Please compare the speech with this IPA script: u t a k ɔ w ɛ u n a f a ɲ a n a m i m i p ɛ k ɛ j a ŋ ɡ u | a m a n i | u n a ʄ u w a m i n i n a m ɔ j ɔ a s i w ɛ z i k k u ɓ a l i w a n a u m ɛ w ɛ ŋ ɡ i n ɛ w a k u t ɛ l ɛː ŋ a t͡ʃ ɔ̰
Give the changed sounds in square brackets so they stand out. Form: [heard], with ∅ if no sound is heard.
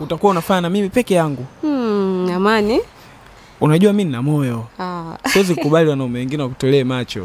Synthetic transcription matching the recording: u t a k [u] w [a] u n a f a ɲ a n a m i m i p ɛ k ɛ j a ŋ ɡ u | a m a n i | u n a ʄ u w a m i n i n a m ɔ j ɔ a s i w ɛ z i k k u ɓ a l i w a n a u m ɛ w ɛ ŋ ɡ i n ɛ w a k u t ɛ l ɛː [m] a t͡ʃ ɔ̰